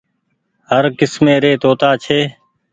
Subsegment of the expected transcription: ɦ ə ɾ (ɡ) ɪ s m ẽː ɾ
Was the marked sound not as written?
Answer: yes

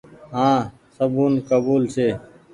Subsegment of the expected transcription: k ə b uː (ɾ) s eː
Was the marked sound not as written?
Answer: yes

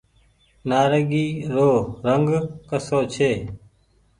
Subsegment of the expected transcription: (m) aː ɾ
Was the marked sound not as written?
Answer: yes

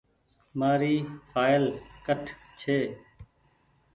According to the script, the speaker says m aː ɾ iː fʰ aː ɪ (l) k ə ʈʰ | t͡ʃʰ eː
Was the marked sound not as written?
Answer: no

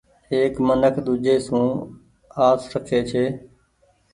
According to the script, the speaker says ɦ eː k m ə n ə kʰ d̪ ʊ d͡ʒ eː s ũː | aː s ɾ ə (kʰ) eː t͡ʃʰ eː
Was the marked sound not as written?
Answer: no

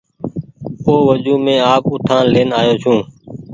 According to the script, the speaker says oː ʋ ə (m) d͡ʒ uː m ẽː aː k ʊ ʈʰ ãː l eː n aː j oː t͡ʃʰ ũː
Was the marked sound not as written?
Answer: yes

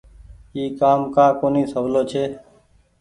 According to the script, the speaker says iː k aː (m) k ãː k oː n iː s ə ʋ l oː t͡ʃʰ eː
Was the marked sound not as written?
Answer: no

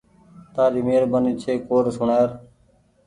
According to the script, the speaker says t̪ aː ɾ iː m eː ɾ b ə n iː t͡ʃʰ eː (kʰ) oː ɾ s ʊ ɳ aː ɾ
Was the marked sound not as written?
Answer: yes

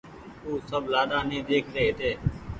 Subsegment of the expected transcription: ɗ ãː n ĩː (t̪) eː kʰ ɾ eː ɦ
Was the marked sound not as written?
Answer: yes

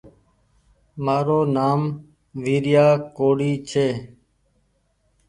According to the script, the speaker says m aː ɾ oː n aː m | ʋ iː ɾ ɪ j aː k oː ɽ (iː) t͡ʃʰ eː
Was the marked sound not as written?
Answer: no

